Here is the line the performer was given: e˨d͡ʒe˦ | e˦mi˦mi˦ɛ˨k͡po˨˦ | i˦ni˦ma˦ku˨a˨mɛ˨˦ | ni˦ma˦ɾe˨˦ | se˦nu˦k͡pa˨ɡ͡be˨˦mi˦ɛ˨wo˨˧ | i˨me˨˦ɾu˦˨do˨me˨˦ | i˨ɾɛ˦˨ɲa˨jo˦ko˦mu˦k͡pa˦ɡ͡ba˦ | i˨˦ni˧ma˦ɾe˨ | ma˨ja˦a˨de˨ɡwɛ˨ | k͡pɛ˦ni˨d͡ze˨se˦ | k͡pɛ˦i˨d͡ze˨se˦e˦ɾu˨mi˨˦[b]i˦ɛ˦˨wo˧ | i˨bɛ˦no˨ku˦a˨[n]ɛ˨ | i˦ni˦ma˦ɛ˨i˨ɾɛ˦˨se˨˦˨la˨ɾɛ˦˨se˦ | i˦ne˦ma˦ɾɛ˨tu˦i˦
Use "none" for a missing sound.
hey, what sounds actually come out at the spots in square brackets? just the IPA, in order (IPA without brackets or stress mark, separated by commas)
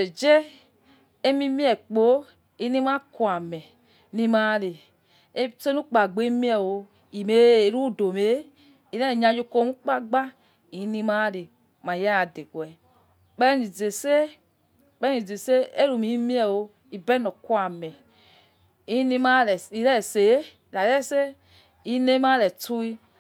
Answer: m, m